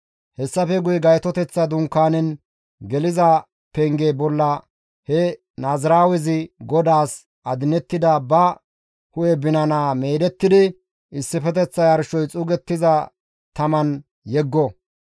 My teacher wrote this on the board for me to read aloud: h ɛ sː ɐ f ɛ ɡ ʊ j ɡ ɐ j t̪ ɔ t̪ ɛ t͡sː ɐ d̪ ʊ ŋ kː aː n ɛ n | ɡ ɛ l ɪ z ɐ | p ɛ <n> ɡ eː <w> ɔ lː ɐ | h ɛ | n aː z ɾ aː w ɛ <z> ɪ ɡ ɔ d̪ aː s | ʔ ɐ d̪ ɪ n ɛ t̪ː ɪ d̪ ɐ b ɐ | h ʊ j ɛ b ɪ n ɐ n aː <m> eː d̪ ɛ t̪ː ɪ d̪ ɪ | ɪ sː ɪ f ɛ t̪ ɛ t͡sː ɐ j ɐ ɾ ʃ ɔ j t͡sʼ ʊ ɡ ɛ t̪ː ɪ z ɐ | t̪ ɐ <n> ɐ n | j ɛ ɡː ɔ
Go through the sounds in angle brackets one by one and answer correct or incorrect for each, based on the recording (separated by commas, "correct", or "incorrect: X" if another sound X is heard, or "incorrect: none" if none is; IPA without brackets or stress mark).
incorrect: ŋ, incorrect: b, correct, correct, incorrect: m